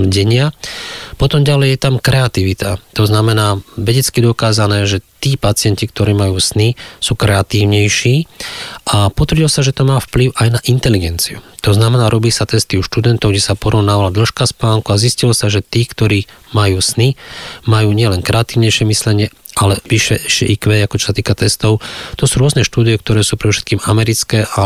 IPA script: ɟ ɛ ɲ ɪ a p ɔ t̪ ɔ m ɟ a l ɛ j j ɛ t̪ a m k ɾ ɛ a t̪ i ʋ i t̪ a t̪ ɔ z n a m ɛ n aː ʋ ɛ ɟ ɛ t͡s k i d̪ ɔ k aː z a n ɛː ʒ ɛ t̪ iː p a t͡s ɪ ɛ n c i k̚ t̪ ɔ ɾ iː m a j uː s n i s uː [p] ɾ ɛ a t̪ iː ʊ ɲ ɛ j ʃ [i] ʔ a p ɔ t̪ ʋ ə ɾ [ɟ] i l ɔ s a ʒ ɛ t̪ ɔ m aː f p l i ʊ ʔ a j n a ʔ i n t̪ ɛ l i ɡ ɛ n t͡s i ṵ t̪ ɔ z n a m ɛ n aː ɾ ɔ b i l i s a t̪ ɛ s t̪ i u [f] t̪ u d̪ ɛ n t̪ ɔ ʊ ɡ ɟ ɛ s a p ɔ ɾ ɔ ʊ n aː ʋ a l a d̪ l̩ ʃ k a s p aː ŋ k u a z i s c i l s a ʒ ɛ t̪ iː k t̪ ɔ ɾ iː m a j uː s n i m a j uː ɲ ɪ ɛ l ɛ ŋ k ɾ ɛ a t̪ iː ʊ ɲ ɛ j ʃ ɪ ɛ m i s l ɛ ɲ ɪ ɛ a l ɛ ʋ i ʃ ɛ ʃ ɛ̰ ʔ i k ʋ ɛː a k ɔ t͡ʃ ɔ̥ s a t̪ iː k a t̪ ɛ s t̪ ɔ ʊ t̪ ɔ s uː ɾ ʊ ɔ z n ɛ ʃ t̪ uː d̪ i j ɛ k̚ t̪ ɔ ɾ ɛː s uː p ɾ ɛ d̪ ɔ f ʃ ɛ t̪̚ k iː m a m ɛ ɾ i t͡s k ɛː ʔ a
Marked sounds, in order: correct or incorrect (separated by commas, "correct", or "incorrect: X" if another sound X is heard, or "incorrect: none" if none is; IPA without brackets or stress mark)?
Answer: incorrect: k, incorrect: iː, correct, incorrect: ʃ